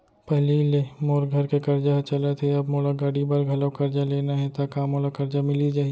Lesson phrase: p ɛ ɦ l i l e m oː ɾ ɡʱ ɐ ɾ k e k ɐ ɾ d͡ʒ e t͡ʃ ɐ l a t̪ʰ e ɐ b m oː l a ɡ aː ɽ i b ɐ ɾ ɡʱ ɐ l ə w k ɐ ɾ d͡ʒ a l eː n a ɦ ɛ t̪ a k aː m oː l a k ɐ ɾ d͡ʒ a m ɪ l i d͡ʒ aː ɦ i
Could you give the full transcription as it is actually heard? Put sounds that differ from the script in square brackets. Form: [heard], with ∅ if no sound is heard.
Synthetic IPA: p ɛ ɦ l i l e m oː ɾ ɡʱ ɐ ɾ k e k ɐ ɾ d͡ʒ [a] t͡ʃ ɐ l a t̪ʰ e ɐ b m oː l a ɡ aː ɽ i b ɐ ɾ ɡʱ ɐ l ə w k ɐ ɾ d͡ʒ a l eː n a ɦ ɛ t̪ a k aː m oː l a k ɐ ɾ d͡ʒ a m ɪ l i d͡ʒ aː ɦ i